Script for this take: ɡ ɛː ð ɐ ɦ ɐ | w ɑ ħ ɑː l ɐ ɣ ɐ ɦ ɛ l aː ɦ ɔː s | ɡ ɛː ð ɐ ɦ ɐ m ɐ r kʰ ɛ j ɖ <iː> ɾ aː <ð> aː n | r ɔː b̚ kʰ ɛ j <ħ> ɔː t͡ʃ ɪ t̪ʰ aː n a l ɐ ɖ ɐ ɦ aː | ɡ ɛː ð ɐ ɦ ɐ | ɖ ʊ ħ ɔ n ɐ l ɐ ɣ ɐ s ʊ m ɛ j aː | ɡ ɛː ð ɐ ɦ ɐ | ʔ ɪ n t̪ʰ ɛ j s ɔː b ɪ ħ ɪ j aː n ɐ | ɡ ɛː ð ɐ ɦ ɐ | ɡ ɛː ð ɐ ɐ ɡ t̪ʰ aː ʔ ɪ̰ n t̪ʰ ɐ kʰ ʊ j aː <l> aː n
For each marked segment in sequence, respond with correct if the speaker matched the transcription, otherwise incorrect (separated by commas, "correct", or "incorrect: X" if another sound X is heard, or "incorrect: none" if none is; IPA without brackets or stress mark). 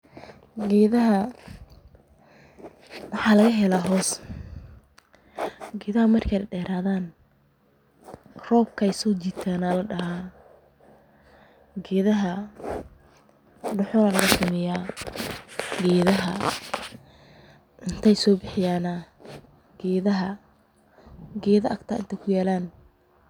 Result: incorrect: ɛː, correct, incorrect: s, correct